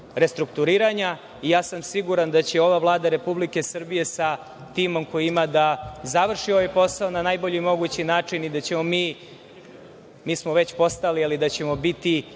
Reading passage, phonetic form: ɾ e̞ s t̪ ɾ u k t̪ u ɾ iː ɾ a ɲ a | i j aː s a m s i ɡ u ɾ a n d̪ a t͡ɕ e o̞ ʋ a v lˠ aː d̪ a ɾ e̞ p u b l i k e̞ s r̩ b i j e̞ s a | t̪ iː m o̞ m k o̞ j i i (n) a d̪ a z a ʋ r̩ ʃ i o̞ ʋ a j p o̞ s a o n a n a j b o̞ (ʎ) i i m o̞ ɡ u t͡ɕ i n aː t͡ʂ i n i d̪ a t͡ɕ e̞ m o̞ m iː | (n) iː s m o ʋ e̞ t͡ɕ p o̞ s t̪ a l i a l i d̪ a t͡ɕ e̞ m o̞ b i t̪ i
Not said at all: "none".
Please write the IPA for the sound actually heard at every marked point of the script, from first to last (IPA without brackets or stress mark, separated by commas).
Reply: m, ʎ, m